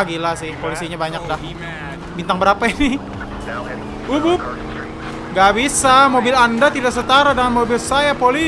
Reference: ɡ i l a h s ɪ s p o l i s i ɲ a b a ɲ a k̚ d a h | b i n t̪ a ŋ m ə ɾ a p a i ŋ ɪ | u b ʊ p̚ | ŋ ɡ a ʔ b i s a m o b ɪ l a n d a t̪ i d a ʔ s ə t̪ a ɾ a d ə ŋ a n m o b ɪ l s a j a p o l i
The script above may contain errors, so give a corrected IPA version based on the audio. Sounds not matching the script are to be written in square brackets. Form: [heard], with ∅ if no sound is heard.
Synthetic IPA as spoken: ɡ i l a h s ɪ [h] p o l i s i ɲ a b a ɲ a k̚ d a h | b i n t̪ a ŋ [b] ə ɾ a p a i [n] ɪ | u b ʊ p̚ | ŋ ɡ a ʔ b i s a m o b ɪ l a n d a t̪ i d a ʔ s ə t̪ a ɾ a d ə ŋ a n m o b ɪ l s a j a p o l i